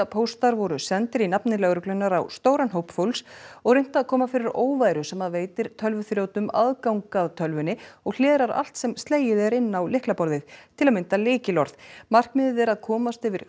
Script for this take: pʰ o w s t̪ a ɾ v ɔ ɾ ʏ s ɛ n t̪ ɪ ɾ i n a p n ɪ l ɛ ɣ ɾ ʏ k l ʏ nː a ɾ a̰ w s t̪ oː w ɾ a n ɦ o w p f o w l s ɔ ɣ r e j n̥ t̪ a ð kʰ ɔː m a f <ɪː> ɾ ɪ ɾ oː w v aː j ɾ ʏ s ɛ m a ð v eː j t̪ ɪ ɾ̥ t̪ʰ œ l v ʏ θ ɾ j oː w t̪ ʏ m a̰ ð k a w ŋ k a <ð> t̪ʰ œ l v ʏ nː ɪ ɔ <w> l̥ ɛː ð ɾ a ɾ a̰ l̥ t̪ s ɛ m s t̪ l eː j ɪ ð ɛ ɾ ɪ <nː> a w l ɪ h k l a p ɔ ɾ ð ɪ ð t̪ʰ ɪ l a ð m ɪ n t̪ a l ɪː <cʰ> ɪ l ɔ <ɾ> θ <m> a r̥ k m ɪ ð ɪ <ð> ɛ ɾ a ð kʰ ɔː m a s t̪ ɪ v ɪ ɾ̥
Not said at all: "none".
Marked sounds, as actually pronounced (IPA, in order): ɪ, ð, ɣ, nː, c, ɾ, m, ð

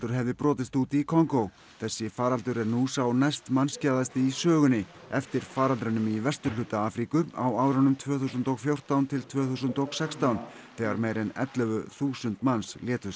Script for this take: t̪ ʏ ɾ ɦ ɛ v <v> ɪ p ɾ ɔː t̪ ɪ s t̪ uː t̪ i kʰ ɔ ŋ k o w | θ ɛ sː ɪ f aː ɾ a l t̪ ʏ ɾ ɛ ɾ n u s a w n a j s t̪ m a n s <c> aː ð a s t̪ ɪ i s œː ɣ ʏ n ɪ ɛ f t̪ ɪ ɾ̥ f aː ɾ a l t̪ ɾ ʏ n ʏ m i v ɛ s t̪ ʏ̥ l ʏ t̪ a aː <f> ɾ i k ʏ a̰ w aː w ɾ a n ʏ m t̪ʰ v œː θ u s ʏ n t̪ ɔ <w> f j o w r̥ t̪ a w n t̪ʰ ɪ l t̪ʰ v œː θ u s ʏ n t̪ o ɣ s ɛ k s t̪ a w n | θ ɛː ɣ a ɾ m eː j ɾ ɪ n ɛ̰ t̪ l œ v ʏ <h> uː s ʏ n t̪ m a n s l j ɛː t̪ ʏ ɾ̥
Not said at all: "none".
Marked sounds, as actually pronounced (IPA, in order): ð, c, f, ɣ, θ

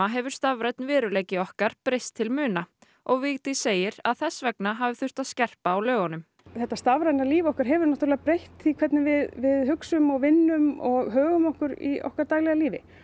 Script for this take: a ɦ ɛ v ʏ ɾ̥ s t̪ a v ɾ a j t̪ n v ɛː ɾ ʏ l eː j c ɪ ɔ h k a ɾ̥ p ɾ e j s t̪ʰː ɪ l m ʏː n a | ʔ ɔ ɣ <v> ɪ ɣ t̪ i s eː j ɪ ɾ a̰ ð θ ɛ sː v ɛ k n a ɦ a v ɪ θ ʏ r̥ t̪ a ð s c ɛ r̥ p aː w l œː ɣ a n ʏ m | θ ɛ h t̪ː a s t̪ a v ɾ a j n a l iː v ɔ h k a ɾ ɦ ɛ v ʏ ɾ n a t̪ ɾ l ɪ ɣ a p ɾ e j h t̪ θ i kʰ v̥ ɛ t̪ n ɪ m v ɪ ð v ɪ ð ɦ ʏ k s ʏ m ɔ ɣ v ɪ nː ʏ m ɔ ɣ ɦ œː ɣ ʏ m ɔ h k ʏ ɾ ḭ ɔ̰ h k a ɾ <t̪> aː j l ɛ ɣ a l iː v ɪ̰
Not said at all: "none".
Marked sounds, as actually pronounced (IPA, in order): v, t̪

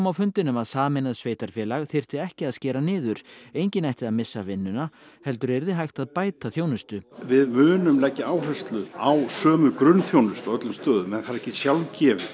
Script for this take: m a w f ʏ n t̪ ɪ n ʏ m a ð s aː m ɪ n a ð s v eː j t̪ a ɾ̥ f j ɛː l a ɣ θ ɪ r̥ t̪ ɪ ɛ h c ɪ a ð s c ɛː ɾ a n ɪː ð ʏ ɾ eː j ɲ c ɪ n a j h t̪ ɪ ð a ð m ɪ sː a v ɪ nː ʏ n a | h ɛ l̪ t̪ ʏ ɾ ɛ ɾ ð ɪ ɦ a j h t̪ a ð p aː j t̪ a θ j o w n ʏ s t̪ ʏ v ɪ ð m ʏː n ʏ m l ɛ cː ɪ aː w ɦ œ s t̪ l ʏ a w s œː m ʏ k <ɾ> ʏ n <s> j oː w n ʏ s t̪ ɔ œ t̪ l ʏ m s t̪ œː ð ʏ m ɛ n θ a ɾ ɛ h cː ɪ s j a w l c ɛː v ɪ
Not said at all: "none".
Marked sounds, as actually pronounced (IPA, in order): ɾ, θ

